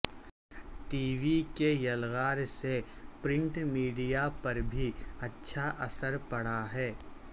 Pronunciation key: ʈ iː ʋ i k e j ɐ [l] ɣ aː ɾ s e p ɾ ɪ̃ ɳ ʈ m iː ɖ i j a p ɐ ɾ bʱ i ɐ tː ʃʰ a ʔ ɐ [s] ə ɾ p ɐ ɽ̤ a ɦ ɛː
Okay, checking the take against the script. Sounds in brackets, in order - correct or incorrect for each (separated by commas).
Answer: correct, correct